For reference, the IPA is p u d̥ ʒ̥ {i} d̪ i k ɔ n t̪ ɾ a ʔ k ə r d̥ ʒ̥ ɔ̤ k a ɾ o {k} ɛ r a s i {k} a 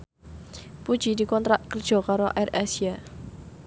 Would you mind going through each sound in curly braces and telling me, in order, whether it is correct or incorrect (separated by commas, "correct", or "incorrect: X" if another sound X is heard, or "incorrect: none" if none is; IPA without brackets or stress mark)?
correct, incorrect: ʔ, incorrect: none